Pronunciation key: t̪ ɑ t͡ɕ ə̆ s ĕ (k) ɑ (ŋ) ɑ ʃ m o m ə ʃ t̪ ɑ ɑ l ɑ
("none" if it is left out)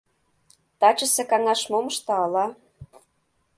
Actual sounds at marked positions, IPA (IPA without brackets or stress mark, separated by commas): k, ŋ